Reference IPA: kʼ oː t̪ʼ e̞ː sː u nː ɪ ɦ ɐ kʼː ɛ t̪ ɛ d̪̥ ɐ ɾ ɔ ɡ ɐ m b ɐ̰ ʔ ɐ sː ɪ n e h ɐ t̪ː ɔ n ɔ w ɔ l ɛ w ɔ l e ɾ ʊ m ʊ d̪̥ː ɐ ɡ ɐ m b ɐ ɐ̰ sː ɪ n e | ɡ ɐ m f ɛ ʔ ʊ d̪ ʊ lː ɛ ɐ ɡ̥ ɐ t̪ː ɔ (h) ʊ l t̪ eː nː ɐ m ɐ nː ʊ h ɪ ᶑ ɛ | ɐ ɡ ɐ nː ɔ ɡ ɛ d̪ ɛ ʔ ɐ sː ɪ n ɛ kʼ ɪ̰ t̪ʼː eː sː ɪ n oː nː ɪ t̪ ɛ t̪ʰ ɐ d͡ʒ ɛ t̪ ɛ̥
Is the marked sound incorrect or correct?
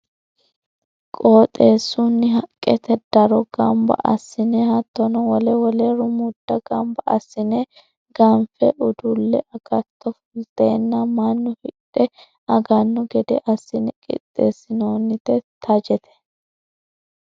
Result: incorrect